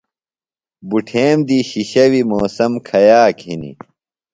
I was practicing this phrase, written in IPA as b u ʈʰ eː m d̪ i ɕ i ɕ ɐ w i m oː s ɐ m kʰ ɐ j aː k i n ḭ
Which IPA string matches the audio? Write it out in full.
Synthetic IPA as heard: b u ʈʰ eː m d̪ i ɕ i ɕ ɐ w i m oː s ɐ m kʰ ɐ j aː k i n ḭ